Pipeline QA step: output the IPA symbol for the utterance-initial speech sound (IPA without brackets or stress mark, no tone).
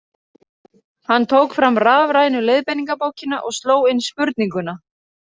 h